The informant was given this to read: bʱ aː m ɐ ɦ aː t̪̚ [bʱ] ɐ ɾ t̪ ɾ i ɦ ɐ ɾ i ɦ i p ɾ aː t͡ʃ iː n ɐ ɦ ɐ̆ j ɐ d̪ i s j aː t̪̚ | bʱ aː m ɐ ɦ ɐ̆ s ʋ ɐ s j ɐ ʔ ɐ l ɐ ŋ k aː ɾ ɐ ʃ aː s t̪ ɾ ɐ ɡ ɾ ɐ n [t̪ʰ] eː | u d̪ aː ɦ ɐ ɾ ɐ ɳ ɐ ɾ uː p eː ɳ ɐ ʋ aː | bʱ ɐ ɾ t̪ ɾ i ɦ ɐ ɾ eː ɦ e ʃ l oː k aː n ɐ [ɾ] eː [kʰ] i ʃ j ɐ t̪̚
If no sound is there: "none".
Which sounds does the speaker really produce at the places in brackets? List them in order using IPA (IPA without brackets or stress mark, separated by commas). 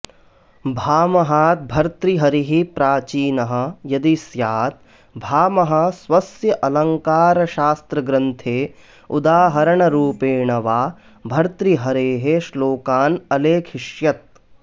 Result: bʱ, t̪ʰ, l, kʰ